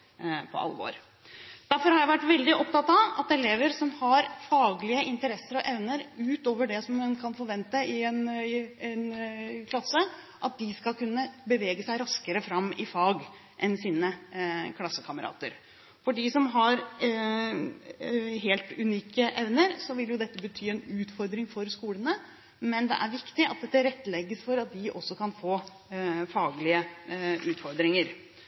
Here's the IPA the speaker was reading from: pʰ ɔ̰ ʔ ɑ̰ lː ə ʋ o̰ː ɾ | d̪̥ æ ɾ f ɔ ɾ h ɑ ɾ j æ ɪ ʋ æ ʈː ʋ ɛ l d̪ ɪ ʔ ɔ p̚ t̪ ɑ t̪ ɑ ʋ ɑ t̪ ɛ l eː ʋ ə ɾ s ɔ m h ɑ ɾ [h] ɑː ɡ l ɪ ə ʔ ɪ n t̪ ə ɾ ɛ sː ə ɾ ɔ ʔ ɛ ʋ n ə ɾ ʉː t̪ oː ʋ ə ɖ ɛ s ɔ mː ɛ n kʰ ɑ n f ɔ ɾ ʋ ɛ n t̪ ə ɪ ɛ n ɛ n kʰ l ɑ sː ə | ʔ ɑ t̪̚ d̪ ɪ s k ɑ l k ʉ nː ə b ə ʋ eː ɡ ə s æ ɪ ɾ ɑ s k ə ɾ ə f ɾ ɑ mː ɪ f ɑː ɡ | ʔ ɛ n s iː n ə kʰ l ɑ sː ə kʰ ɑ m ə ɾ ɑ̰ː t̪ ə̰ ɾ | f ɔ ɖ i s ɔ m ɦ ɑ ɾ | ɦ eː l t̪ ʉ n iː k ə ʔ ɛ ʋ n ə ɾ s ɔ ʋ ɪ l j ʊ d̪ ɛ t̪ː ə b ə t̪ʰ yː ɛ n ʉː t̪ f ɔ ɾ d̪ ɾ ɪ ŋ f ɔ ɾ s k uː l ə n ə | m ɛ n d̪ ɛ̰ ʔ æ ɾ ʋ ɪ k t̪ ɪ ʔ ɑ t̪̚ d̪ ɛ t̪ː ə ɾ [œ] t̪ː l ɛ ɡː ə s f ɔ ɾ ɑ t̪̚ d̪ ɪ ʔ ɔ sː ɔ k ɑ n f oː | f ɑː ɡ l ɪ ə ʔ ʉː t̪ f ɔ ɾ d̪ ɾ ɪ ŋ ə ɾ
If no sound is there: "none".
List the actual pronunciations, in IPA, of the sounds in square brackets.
f, ɛ

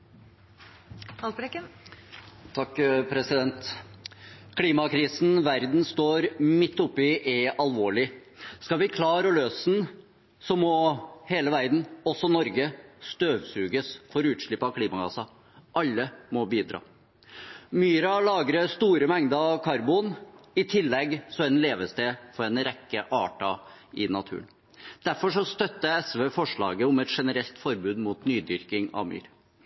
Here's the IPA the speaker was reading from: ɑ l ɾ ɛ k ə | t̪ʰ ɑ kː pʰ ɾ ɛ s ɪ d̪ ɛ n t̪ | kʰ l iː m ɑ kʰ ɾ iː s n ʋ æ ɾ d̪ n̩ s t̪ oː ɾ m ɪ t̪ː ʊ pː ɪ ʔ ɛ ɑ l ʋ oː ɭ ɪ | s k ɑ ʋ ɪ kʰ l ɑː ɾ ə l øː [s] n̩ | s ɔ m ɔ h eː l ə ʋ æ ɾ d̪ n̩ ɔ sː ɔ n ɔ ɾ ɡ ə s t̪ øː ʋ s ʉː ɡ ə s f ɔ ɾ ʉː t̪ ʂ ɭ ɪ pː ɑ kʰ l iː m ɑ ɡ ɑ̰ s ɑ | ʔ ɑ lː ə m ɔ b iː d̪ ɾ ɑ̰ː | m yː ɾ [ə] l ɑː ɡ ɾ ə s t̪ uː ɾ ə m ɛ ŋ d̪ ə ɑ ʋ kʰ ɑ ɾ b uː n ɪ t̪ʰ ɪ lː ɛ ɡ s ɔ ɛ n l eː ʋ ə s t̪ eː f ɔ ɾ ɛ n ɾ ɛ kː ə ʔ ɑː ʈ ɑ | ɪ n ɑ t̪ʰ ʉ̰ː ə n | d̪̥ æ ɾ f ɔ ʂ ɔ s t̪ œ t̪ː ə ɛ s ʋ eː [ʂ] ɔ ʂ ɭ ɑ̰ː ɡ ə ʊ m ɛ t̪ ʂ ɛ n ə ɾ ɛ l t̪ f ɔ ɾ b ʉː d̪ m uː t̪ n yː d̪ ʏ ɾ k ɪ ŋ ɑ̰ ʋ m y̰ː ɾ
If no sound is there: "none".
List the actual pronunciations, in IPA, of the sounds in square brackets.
s, ɑ, f

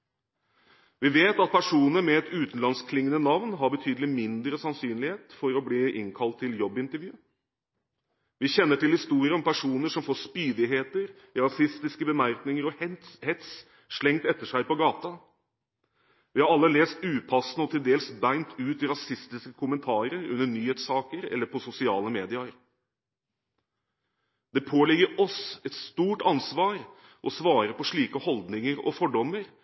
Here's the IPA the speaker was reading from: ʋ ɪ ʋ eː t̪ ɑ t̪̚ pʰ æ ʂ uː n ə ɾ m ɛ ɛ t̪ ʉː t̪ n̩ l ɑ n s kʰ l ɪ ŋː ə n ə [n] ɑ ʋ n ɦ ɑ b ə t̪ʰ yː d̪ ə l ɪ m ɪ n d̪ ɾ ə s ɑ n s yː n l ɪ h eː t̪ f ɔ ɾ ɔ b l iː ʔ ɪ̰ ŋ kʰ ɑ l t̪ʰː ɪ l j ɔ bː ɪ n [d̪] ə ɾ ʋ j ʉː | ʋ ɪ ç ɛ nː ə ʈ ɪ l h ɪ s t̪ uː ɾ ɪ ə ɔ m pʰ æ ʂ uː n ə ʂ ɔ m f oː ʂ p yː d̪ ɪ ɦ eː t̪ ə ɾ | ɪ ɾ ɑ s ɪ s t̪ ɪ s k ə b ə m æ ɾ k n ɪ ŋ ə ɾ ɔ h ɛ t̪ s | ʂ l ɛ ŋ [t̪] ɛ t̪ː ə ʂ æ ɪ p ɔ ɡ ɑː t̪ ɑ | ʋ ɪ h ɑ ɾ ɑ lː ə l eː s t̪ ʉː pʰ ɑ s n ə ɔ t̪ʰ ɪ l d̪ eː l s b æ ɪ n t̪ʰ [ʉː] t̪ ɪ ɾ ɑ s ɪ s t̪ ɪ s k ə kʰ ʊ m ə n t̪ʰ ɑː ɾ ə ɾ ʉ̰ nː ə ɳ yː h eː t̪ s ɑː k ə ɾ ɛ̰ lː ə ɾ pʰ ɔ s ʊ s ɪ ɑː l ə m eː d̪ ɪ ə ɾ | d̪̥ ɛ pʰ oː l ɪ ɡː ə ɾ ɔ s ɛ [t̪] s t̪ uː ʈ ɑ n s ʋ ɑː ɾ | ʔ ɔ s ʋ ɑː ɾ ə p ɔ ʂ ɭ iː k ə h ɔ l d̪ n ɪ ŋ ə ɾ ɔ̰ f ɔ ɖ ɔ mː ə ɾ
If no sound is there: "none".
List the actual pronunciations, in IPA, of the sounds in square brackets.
n, t̪, t̪, ʉː, t̪

